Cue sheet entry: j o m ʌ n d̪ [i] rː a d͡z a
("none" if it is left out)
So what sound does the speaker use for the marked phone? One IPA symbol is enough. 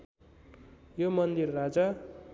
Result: i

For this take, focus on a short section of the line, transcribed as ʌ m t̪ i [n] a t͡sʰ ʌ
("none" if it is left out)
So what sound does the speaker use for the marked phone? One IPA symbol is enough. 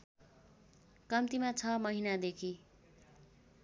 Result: m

